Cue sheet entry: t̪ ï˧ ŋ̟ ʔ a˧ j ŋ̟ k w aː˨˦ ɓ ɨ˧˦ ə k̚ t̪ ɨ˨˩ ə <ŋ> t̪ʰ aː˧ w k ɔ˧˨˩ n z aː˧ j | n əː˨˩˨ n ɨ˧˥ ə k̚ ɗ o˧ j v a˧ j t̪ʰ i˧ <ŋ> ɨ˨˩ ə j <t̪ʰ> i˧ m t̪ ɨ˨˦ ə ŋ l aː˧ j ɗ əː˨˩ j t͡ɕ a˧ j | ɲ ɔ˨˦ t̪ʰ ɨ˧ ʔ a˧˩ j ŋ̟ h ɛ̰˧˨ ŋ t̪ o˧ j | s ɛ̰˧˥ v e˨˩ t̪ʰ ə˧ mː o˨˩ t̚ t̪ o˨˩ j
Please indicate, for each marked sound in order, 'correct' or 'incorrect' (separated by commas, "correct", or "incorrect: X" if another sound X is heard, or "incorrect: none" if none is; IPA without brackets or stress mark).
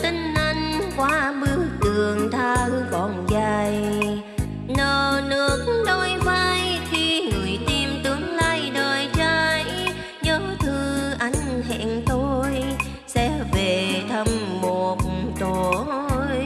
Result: correct, correct, incorrect: t̪